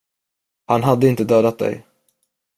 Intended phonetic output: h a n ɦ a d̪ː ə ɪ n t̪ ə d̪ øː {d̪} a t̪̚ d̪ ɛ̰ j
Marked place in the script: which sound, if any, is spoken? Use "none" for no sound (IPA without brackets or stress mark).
d̪